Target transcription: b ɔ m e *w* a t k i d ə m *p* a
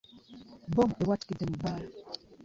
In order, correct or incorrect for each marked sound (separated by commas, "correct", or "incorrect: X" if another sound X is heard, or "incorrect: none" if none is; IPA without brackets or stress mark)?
correct, incorrect: b